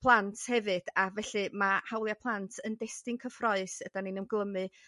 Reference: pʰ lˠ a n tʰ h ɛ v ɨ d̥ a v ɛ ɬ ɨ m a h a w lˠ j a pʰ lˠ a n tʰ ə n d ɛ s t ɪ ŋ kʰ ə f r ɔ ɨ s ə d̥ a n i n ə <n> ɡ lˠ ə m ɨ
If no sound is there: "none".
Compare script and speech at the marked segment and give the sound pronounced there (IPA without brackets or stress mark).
m